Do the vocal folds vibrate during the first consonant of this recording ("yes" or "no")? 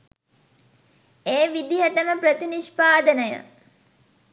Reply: yes